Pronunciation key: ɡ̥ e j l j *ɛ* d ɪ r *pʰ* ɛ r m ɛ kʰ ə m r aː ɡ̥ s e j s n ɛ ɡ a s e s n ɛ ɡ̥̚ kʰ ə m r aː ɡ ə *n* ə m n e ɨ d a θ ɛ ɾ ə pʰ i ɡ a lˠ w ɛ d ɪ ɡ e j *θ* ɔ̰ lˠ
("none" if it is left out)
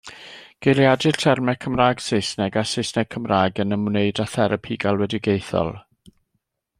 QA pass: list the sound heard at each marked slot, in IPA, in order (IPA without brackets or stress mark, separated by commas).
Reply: a, tʰ, n, θ